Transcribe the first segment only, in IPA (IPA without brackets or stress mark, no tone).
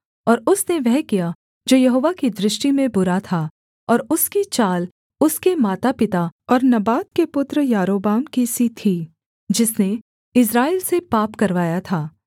ɔː